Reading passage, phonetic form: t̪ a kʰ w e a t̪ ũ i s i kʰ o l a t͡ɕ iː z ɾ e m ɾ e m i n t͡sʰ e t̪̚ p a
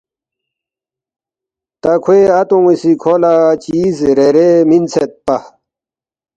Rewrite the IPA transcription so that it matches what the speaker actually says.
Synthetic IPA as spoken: t̪ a kʰ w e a t̪ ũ i s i kʰ o l a t͡ɕ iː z ɾ e ɾ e m i n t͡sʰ e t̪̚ p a